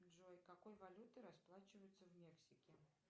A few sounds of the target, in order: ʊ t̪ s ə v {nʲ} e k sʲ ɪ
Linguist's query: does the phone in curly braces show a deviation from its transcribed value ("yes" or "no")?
yes